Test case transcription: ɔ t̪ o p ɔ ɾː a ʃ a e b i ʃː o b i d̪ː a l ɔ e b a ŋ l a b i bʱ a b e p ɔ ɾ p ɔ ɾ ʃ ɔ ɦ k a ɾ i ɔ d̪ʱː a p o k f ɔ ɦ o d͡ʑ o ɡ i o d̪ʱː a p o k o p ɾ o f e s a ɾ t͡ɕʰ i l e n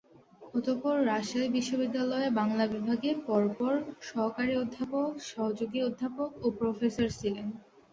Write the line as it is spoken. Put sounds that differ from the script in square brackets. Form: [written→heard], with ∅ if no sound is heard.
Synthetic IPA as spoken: ɔ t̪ o p ɔ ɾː a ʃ a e b i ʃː o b i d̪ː a l ɔ e b a ŋ l a b i bʱ a [b→ɡ] e p ɔ ɾ p ɔ ɾ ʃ ɔ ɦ k a ɾ i [ɔ→o] d̪ʱː a p o k [f→ʃ] ɔ ɦ o d͡ʑ o ɡ i o d̪ʱː a p o k o p ɾ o f e s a ɾ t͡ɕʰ i l e n